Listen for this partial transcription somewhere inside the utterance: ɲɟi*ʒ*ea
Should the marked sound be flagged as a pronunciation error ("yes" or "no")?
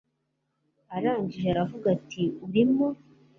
no